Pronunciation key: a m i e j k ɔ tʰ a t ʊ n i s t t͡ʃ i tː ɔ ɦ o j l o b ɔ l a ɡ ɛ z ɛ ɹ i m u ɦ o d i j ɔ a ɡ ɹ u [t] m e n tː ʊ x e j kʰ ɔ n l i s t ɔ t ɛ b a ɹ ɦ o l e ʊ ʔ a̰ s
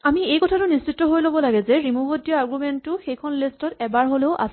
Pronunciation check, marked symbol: incorrect: none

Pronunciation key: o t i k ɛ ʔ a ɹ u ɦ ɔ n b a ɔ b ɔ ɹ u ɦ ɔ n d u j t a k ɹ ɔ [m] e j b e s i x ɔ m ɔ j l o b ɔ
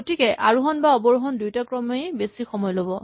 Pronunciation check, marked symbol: correct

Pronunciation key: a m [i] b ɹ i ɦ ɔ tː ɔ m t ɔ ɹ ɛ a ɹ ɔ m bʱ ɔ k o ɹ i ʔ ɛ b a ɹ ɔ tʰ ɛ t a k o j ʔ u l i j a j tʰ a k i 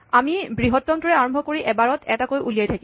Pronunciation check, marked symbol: correct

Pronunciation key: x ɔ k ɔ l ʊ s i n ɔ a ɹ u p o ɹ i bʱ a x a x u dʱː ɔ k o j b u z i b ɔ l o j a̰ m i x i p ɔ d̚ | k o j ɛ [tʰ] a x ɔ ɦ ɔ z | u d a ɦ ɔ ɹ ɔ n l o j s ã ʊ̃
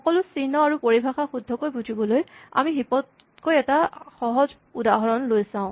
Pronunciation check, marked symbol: incorrect: t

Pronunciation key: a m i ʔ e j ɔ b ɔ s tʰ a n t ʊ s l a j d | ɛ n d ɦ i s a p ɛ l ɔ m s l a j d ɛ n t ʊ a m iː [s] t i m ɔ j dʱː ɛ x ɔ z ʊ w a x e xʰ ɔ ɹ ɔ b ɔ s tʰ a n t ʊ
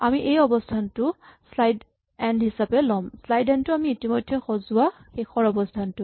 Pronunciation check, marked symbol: incorrect: none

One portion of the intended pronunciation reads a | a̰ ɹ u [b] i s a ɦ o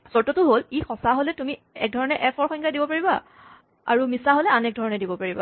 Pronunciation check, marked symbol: incorrect: m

